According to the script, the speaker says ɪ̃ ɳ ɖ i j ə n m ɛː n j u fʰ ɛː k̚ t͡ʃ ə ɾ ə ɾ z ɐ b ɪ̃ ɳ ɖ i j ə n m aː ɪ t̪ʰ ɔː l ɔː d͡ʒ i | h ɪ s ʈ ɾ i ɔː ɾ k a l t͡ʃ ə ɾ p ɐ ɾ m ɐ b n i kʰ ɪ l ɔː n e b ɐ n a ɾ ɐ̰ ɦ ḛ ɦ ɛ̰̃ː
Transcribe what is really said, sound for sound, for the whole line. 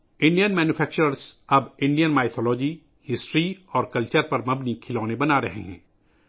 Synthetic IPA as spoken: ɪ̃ ɳ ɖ i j ə n m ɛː n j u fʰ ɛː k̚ t͡ʃ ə ɾ ə ɾ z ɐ b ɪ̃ ɳ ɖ i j ə n m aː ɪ t̪ʰ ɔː l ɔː d͡ʒ i | h ɪ s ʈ ɾ i ɔː ɾ k ɐ l t͡ʃ ə ɾ p ɐ ɾ m ɐ b n i kʰ ɪ l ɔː n e b ɐ n a ɾ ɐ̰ ɦ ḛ ɦ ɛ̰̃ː